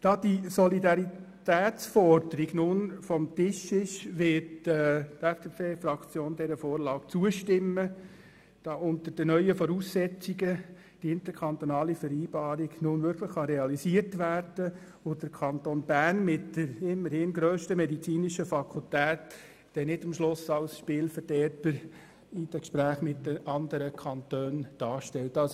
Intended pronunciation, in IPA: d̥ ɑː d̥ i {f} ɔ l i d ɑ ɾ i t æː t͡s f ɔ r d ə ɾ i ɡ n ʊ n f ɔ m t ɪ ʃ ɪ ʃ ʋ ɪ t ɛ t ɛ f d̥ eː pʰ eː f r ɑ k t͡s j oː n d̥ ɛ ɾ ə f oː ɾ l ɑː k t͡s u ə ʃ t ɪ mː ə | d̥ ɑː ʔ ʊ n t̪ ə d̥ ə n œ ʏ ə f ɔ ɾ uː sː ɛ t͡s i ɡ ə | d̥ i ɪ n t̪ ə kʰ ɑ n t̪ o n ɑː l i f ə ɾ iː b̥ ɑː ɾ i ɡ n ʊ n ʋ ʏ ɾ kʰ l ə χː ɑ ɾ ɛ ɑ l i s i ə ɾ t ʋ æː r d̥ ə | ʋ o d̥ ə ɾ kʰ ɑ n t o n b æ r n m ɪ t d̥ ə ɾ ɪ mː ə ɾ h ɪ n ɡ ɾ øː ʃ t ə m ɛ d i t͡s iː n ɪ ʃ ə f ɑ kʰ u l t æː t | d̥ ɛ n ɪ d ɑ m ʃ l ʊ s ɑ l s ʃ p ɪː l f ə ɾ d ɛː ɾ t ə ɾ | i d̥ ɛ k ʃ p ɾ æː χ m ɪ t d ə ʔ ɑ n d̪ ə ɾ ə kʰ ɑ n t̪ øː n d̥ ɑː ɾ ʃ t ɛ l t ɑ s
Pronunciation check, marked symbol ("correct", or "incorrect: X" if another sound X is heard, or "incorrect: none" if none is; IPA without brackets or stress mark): incorrect: s